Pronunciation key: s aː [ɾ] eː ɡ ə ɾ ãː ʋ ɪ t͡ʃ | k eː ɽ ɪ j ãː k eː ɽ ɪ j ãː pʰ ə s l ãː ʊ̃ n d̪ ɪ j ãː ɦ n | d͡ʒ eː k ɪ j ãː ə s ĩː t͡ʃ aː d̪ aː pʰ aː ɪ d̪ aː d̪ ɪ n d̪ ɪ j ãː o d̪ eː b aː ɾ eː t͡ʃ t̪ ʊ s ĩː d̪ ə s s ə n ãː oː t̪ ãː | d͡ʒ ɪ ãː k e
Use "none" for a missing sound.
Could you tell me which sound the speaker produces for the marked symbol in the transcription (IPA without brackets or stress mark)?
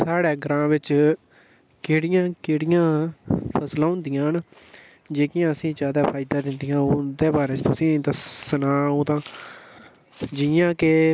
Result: ɽ